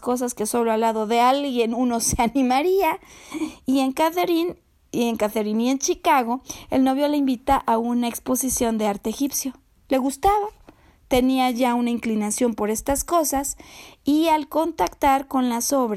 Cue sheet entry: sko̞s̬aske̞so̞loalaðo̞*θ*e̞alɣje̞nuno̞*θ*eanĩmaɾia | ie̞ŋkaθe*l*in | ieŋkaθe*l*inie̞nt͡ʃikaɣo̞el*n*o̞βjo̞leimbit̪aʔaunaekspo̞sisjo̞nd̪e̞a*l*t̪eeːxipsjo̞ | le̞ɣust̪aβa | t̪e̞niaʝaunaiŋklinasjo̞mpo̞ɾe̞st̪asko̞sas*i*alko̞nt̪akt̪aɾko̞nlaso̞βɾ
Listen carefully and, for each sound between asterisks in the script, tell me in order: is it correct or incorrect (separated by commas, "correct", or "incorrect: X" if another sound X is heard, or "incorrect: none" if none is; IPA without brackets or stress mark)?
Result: incorrect: ð, incorrect: s, incorrect: ɾ, incorrect: ɾ, correct, incorrect: ɾ, correct